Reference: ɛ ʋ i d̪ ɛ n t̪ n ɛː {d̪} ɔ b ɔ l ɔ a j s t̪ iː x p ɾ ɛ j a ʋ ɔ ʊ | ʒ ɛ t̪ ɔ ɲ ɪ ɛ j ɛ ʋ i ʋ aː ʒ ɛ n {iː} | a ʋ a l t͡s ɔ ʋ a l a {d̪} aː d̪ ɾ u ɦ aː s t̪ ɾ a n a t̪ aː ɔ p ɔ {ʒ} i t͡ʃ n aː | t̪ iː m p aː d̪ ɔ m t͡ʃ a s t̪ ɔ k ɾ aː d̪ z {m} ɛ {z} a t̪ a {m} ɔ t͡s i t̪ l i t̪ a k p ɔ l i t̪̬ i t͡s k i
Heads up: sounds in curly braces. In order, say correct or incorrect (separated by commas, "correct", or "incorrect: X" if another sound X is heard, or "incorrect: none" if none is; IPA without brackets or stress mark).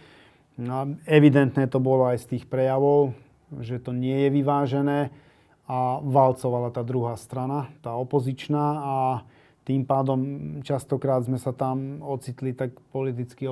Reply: incorrect: t̪, incorrect: ɛː, incorrect: t̪, incorrect: z, correct, incorrect: s, correct